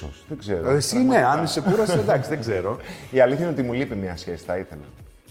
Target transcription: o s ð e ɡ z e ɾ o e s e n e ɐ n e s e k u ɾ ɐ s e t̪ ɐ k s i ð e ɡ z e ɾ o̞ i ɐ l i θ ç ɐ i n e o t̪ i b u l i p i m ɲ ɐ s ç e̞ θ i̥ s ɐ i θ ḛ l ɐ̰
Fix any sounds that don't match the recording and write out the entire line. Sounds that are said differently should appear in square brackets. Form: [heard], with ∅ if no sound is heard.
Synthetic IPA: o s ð e ɡ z e ɾ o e s [i] n e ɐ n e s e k u ɾ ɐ s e [d̪] ɐ k s i ð e ɡ z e ɾ o̞ i ɐ l i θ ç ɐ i n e o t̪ i [m] u l i p i m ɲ ɐ s ç e̞ [s] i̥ [θ] ɐ i θ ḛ l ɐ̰